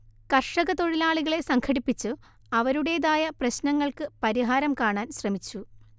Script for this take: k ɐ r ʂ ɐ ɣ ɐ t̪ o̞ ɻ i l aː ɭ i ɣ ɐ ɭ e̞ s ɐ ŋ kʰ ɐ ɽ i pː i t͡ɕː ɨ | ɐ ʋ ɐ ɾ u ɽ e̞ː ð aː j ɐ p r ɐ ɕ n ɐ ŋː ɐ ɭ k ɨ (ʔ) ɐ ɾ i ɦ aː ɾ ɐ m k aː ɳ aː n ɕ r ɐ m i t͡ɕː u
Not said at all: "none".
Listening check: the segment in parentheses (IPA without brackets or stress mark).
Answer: p